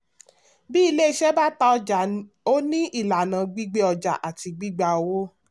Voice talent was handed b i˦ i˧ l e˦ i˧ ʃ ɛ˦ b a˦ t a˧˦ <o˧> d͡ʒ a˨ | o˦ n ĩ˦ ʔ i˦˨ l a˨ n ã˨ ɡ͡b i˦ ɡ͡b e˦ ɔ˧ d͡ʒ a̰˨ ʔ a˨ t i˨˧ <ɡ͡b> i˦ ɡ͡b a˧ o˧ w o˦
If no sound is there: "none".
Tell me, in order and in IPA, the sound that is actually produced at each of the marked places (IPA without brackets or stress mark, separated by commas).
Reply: ɔ˧, ɡ͡b